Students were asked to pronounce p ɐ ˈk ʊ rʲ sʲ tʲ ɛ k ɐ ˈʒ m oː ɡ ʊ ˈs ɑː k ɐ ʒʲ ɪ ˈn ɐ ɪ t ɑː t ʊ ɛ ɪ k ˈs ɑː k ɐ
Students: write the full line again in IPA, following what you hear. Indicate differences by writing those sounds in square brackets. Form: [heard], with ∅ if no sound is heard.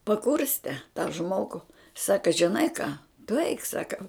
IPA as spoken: p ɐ ˈk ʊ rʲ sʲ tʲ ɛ [t] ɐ ˈʒ m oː ɡ ʊ ˈs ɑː k ɐ ʒʲ ɪ ˈn ɐ ɪ [k] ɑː t ʊ ɛ ɪ k ˈs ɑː k ɐ

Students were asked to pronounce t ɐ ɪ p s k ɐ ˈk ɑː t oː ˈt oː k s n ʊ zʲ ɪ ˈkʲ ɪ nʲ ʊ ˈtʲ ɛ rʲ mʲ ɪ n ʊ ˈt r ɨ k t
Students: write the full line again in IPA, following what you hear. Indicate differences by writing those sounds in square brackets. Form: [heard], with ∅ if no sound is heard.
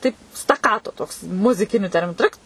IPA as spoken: t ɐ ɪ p s [t] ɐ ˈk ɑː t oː ˈt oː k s [m] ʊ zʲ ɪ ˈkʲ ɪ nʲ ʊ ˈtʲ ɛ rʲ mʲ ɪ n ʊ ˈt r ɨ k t

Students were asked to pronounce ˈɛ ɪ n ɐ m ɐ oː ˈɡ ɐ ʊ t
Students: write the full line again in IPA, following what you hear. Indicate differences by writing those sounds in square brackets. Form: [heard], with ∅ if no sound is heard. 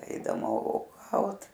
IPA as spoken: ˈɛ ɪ [d] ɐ m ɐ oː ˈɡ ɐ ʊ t

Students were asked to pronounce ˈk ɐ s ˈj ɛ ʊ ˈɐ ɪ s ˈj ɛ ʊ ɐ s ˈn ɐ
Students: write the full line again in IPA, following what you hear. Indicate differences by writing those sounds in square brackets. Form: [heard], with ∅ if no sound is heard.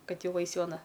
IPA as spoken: ˈk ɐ [t] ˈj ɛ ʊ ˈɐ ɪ s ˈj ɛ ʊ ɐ [∅] ˈn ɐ

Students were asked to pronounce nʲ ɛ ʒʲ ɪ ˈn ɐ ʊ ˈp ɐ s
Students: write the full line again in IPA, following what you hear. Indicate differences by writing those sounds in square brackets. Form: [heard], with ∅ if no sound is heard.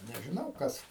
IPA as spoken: nʲ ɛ ʒʲ ɪ ˈn ɐ ʊ [ˈk] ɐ s

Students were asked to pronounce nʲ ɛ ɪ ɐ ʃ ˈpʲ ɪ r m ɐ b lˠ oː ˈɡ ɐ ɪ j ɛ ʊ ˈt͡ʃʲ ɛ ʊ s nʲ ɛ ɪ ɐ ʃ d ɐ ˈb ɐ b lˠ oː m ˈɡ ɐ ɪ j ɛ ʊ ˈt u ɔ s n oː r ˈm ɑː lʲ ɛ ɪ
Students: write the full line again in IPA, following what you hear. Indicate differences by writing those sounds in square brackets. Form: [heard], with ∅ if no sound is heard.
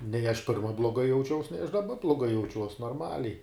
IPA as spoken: nʲ ɛ ɪ ɐ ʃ ˈpʲ ɪ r m ɐ b lˠ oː ˈɡ ɐ ɪ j ɛ ʊ ˈt͡ʃʲ ɛ ʊ s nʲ ɛ ɪ ɐ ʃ d ɐ ˈb ɐ b lˠ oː [∅] ˈɡ ɐ ɪ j ɛ ʊ [ˈt͡ʃʲ] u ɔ s n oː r ˈm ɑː lʲ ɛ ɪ

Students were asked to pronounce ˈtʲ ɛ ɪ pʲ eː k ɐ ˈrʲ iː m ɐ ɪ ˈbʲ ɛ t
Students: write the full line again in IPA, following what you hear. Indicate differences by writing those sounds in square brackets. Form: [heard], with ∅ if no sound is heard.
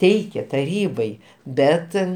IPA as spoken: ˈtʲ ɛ ɪ [kʲ] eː [t] ɐ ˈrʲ iː [b] ɐ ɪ ˈbʲ ɛ t

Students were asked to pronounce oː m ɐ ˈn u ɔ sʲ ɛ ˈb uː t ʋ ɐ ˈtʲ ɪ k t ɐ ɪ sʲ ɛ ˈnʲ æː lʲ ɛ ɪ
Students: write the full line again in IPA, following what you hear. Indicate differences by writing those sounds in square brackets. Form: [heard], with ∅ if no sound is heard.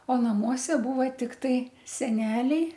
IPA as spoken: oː [n] ɐ [ˈm] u ɔ sʲ ɛ ˈb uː [∅] ʋ ɐ ˈtʲ ɪ k t ɐ ɪ sʲ ɛ ˈnʲ æː lʲ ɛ ɪ

